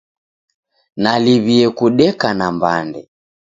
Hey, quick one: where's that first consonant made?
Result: tongue tip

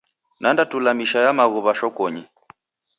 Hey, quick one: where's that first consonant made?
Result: tongue tip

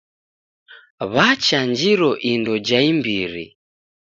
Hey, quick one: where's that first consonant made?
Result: lips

